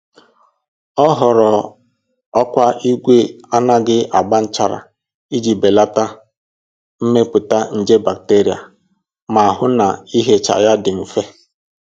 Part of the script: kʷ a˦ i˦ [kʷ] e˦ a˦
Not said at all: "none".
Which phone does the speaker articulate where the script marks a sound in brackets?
ɡʷ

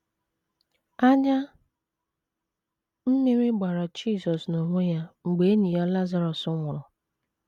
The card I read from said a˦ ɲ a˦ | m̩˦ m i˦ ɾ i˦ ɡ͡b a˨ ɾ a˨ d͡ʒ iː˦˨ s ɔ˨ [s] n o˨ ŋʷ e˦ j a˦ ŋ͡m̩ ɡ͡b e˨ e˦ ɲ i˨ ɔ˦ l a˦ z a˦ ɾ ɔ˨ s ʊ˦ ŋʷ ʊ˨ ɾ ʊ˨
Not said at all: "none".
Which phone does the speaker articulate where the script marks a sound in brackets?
s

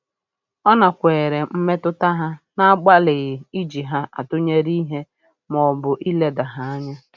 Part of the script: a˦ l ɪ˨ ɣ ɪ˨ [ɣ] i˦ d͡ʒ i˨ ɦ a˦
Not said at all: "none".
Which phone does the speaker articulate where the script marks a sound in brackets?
none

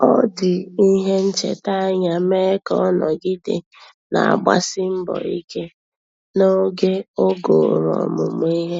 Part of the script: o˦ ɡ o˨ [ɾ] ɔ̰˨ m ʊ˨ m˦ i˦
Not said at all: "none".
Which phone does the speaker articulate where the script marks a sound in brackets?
ɾ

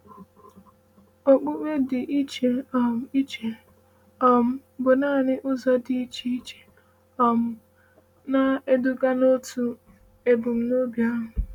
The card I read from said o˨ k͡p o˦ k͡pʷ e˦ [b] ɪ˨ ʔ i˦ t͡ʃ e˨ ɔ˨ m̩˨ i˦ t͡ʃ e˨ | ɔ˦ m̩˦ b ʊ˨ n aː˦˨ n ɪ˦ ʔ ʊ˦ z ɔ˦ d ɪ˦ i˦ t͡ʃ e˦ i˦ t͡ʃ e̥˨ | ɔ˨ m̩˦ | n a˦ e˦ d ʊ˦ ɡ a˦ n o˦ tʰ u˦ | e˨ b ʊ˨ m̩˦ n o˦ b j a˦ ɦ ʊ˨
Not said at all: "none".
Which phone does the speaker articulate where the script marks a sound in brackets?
d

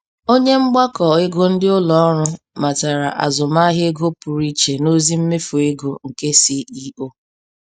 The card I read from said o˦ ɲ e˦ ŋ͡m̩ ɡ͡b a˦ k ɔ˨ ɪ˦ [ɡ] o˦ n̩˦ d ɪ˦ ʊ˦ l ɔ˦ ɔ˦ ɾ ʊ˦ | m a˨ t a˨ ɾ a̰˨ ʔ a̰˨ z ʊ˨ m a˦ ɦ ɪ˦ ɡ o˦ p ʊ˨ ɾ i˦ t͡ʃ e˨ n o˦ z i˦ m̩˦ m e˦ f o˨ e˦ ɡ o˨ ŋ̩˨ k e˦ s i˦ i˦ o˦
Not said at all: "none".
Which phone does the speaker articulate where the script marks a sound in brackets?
ɡ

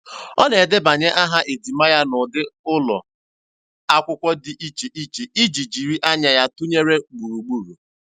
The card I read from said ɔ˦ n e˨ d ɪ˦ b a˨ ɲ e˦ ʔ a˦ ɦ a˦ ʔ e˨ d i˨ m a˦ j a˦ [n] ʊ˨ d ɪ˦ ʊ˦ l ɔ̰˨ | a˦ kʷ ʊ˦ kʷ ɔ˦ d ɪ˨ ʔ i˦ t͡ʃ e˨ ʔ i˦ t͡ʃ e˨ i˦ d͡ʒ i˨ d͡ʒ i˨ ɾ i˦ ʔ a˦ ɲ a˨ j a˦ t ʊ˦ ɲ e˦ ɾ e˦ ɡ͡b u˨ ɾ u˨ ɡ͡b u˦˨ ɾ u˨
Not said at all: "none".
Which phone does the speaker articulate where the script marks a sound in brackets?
n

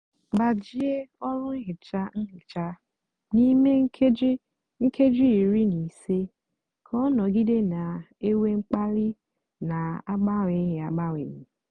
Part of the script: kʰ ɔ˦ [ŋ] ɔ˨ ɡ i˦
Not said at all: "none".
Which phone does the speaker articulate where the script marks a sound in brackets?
n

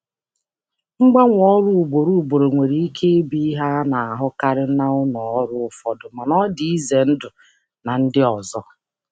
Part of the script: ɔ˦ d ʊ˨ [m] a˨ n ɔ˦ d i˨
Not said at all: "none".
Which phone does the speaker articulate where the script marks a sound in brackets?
m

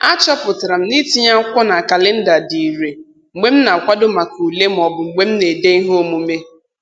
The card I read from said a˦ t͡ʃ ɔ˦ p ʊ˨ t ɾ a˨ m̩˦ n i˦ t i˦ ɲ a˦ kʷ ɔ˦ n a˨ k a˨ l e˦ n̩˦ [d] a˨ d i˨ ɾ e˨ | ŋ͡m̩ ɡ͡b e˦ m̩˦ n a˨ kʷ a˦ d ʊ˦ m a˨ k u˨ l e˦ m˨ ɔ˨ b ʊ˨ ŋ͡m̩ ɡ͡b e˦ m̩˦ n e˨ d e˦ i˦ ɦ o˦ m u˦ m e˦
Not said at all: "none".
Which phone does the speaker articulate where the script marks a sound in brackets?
d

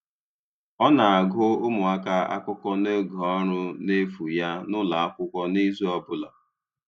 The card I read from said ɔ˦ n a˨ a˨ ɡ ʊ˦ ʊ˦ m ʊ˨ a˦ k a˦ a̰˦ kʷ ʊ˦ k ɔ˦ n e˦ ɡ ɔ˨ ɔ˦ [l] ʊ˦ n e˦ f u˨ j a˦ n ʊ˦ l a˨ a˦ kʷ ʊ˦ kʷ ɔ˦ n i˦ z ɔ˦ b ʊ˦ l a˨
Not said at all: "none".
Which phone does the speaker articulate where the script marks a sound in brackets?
ɾ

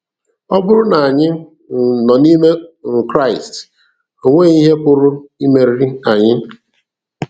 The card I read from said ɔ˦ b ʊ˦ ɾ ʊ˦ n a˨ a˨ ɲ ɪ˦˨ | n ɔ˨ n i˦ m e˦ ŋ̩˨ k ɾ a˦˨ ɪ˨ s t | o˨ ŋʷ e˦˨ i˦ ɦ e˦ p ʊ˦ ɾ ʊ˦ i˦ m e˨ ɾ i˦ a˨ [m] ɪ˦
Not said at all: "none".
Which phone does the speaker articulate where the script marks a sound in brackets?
ɲ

